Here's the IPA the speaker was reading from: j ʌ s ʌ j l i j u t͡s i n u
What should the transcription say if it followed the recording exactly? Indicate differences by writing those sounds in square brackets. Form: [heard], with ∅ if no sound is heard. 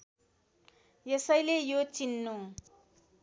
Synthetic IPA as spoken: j ʌ s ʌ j l [e] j [o] t͡s i [nː] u